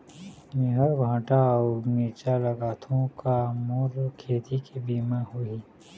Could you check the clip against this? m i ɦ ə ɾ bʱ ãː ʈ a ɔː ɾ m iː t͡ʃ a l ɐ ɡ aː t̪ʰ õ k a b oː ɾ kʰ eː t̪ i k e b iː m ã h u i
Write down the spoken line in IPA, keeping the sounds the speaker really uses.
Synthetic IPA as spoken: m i ɦ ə ɾ bʱ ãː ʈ a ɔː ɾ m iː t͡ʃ a l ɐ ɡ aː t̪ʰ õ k a m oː ɾ kʰ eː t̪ i k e b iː m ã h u i